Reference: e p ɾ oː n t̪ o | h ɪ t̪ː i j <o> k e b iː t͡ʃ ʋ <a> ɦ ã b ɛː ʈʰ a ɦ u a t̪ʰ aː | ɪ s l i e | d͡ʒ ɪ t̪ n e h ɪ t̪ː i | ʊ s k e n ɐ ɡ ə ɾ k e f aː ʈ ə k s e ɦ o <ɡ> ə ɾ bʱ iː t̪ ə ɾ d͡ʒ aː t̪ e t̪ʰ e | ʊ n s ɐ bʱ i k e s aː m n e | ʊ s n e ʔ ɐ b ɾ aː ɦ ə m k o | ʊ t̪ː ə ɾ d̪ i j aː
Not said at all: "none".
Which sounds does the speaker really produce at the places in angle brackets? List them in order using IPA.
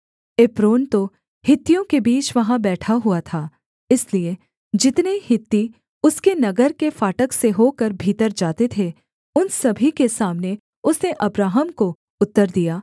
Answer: õ, ɐ, k

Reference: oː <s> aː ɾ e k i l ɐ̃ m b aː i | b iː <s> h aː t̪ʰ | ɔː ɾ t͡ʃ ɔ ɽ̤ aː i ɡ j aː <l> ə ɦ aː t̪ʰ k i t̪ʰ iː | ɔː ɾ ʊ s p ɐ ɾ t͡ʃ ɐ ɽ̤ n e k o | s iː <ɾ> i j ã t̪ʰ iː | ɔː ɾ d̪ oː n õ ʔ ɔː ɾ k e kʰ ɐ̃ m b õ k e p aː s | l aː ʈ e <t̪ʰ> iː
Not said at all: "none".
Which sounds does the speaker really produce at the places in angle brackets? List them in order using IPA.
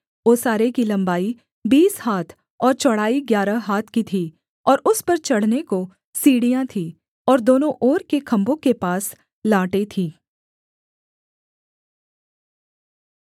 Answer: s, s, ɾ, ɽ, t̪ʰ

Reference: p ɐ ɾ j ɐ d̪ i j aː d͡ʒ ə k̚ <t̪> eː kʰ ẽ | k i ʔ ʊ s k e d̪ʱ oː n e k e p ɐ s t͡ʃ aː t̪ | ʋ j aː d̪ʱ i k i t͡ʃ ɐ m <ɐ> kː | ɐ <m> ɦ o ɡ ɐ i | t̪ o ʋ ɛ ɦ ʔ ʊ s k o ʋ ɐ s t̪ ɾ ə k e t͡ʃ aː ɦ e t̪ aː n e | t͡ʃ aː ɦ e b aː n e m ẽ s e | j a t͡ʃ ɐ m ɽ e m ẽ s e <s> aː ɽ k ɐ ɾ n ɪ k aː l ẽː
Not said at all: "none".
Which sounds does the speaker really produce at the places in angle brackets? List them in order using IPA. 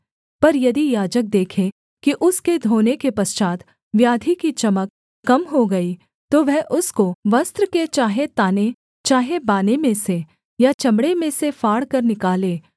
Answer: d̪, ə, m, f

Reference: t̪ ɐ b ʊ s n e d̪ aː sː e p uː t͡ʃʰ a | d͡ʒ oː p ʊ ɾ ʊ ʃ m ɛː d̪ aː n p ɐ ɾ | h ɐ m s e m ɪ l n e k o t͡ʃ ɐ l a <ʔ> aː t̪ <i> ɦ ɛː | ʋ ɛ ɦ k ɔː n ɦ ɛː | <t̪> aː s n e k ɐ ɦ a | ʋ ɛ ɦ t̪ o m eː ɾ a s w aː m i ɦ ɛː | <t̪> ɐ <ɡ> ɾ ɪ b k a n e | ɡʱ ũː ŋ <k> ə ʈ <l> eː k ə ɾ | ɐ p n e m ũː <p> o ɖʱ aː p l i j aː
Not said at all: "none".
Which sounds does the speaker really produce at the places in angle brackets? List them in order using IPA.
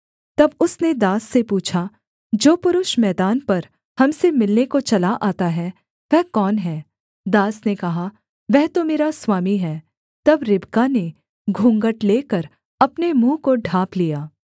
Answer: ʔ, a, d̪, t̪, b, ɡ, l, k

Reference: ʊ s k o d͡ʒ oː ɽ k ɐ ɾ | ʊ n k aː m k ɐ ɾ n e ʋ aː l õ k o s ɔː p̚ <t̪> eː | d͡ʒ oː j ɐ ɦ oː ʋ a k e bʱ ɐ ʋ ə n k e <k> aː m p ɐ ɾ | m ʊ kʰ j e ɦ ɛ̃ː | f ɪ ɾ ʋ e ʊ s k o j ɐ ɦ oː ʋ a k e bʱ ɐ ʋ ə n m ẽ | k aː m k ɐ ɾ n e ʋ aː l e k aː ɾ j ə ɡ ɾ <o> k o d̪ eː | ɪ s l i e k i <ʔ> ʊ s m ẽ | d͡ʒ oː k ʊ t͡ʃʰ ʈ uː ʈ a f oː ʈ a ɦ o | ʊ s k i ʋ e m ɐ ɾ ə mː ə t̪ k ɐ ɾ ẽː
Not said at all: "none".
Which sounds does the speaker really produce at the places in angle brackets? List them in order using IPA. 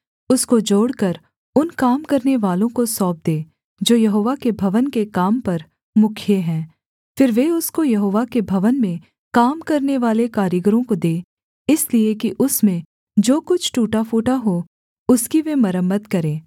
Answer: d̪, k, õ, ʔ

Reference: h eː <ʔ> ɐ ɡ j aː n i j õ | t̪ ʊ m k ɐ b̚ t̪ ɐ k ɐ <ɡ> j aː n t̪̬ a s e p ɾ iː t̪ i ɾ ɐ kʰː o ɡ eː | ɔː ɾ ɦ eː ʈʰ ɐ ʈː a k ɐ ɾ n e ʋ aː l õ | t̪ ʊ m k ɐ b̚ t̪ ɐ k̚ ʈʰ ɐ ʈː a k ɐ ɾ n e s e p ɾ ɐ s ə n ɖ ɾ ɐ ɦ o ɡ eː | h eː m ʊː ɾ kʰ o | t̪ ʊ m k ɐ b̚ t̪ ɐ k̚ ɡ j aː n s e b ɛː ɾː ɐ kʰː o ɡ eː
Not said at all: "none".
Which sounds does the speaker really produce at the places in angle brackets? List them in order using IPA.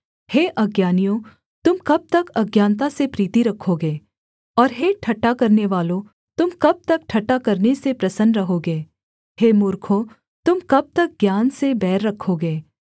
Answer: ʔ, ɡ

